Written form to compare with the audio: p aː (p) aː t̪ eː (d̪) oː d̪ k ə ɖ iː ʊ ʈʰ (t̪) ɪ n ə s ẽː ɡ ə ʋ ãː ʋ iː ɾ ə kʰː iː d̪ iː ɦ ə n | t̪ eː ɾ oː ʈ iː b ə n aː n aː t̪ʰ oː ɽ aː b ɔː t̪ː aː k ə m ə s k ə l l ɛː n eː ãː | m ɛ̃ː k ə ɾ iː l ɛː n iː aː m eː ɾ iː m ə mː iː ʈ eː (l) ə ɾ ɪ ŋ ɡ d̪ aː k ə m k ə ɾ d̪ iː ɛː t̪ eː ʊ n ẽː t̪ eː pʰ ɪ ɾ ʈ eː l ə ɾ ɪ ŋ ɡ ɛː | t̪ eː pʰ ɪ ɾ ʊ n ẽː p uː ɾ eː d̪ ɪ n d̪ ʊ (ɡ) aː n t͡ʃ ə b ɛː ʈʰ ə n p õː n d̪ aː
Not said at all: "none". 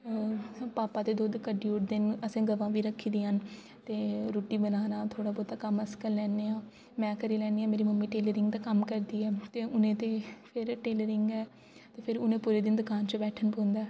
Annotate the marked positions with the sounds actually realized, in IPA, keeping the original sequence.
p, d̪, d̪, l, k

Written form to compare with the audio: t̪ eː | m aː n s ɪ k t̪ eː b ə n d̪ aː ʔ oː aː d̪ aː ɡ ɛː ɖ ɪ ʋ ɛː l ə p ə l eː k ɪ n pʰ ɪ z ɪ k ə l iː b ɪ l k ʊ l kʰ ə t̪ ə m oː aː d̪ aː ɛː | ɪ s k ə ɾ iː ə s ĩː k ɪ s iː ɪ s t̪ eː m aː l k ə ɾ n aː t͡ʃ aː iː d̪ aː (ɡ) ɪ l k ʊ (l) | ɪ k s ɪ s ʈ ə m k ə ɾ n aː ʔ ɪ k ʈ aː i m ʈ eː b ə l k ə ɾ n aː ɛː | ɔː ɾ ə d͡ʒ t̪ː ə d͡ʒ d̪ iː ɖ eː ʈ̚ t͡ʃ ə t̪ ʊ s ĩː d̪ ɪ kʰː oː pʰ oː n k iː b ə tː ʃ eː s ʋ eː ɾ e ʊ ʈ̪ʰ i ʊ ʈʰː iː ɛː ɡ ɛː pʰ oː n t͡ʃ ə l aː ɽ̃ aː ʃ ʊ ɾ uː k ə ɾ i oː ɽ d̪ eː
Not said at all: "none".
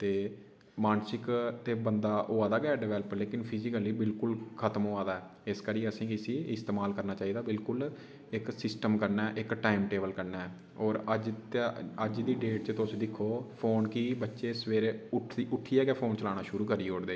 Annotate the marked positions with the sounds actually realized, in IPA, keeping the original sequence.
b, l

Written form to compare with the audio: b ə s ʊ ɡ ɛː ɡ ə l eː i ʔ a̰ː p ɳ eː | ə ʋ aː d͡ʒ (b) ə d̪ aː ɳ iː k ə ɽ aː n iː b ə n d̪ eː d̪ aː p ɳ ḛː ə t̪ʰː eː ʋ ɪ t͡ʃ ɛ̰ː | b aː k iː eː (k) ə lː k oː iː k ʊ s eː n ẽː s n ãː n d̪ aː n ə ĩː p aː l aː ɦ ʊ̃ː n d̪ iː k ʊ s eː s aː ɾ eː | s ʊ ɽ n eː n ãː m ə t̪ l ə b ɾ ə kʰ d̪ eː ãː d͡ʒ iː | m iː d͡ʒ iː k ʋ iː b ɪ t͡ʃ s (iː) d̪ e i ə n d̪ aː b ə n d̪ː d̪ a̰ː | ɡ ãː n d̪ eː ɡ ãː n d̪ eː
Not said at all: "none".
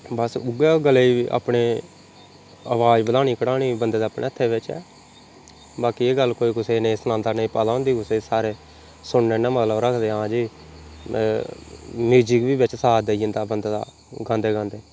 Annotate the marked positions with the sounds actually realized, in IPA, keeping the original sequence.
b, ɡ, aː

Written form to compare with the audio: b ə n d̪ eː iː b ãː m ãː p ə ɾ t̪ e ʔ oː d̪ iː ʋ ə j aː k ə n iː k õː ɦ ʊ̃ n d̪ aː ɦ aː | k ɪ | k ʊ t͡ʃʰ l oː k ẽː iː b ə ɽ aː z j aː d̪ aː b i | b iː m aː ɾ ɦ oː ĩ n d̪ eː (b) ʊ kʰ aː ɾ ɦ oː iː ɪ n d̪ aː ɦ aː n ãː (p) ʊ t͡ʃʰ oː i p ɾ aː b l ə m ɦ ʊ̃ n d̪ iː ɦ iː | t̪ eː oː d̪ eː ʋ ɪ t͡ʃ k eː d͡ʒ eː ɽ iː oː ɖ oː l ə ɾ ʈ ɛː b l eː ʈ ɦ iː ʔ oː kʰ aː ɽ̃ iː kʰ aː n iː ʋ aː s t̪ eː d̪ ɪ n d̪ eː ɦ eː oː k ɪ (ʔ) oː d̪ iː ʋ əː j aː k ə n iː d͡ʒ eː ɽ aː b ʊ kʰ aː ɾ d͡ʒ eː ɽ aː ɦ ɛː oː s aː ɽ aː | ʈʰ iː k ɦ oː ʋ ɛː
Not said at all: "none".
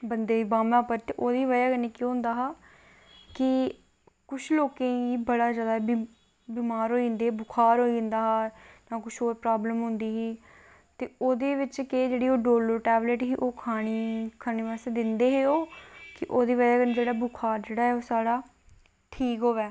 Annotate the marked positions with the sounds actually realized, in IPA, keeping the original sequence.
b, k, ʔ

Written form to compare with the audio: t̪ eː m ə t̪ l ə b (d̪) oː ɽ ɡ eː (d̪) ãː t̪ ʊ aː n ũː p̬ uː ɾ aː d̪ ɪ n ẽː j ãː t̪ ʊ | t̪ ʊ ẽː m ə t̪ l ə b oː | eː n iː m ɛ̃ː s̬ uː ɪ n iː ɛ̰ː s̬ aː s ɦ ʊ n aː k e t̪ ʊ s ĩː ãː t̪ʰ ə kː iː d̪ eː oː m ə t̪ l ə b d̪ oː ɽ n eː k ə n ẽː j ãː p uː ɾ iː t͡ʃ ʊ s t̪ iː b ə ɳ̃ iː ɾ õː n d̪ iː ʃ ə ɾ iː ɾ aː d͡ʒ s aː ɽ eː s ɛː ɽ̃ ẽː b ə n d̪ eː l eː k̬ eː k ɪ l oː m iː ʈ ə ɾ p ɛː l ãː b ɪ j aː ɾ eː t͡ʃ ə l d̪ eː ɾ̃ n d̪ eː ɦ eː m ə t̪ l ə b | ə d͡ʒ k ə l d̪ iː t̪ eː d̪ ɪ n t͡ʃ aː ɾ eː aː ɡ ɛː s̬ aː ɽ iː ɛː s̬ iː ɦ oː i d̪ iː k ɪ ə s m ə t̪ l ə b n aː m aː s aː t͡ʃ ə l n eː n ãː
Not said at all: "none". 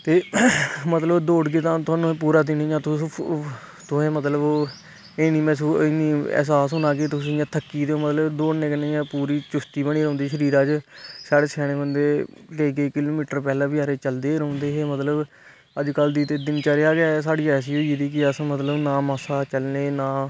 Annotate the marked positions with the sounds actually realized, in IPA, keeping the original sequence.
d̪, t̪

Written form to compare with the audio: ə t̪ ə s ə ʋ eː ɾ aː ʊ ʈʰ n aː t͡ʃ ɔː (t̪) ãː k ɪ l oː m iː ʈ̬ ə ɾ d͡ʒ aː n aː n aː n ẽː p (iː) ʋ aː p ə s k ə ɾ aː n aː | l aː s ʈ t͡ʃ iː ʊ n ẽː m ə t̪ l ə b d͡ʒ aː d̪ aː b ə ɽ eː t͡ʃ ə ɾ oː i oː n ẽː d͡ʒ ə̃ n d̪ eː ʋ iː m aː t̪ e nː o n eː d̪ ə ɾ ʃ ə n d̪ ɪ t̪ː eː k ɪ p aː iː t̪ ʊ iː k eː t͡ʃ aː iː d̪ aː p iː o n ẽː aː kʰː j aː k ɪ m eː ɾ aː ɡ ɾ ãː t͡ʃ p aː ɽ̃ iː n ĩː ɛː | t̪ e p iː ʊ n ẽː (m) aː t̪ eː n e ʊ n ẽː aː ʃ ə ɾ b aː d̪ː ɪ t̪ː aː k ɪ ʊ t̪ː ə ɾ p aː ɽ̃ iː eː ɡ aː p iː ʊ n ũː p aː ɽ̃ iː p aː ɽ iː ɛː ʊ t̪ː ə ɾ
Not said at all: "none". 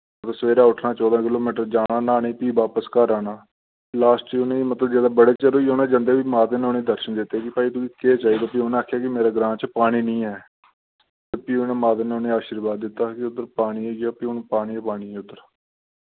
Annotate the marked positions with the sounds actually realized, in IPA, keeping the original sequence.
d̪, iː, m

